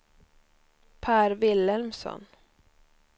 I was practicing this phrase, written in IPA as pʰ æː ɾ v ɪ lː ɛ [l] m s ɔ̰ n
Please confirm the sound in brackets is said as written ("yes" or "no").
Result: yes